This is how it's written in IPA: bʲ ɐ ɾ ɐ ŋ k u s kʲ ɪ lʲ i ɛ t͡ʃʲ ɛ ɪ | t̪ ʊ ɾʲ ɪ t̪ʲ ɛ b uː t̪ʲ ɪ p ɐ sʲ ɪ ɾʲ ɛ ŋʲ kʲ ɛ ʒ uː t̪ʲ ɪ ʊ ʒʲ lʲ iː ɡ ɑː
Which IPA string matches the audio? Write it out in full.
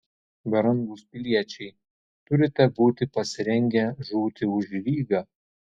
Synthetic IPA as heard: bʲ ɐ ɾ ɐ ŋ ɡ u s pʲ ɪ lʲ i ɛ t͡ʃʲ ɛ ɪ | t̪ ʊ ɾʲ ɪ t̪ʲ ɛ b uː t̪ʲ ɪ p ɐ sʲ ɪ ɾʲ ɛ ŋʲ ɡʲ ɛ ʒ uː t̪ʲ ɪ ʊ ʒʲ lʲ iː ɡ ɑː